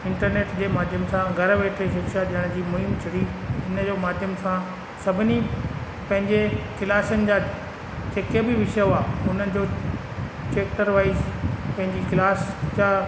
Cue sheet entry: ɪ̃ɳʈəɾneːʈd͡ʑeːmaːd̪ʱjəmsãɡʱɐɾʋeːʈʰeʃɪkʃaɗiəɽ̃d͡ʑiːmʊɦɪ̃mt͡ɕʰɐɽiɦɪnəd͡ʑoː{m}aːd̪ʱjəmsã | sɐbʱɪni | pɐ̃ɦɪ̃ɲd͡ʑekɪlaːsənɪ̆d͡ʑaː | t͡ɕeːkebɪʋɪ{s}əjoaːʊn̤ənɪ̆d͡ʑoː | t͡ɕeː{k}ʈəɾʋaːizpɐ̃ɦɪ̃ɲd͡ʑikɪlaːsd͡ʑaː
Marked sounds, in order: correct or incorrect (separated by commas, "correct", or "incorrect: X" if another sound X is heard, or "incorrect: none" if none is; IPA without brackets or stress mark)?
correct, incorrect: ʃ, correct